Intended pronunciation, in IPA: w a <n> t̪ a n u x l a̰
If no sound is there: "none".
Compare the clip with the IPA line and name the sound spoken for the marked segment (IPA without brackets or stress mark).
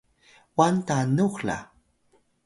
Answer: n